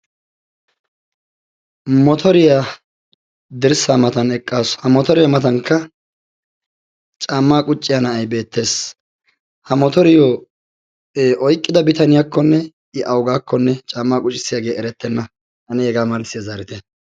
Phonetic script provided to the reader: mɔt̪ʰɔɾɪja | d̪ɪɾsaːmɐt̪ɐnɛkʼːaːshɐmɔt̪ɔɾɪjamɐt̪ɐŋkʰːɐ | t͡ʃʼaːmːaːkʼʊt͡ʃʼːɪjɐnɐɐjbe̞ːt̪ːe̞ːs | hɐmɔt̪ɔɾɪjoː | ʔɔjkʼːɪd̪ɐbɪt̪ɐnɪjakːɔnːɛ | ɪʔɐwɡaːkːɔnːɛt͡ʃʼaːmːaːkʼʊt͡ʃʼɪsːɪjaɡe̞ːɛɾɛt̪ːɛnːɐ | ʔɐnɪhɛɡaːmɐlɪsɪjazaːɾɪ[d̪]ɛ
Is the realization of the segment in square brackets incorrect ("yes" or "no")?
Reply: yes